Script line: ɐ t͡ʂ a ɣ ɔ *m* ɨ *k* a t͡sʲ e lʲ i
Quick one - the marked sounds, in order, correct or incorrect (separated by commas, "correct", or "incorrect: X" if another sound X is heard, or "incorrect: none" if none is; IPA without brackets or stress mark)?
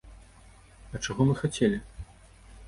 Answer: correct, incorrect: x